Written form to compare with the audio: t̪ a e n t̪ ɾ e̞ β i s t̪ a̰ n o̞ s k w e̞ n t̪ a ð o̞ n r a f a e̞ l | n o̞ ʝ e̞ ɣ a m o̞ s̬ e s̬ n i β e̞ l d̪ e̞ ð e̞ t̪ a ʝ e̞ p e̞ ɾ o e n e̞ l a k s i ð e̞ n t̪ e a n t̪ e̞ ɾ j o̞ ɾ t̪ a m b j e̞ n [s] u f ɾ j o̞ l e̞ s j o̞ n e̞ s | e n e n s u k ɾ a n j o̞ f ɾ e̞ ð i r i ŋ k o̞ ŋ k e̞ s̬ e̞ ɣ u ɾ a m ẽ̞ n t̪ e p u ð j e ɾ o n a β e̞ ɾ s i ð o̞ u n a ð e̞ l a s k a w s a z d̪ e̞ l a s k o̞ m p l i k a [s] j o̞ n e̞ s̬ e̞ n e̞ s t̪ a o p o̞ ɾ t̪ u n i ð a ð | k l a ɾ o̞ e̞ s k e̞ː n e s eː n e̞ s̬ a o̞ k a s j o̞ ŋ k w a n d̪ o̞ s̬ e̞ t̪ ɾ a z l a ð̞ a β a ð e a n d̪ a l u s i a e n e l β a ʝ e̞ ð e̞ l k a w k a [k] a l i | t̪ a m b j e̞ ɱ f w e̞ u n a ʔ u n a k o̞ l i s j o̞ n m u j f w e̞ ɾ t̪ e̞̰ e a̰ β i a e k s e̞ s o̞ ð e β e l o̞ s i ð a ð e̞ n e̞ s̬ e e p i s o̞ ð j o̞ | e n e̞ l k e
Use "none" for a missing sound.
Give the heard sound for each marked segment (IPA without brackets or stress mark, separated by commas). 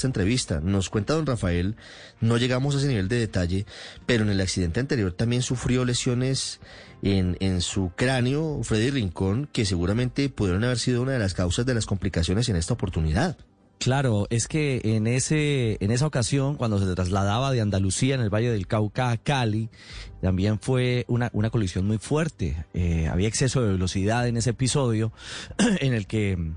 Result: s, s, k